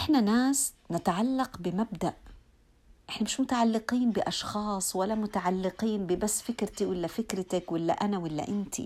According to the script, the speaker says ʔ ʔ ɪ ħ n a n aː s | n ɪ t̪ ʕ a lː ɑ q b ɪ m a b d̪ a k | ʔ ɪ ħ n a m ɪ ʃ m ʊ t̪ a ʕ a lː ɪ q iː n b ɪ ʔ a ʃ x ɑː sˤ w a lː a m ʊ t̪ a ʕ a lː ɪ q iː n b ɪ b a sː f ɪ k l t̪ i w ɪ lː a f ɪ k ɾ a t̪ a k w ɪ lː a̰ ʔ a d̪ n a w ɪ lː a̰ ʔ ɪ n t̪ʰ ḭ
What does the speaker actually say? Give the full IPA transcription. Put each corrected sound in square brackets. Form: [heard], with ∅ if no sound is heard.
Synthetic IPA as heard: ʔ ʔ ɪ ħ n a n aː s | n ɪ t̪ ʕ a lː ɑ q b ɪ m a b d̪ a [ʔ] | ʔ ɪ ħ n a m ɪ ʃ m ʊ t̪ a ʕ a lː ɪ q iː n b ɪ ʔ [ɑ] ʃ x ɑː sˤ w a lː a m ʊ t̪ a ʕ a lː ɪ q iː n b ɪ b a sː f ɪ k [ɾ] t̪ i w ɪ lː a f ɪ k ɾ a t̪ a k w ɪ lː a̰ ʔ a [∅] n a w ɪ lː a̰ ʔ ɪ n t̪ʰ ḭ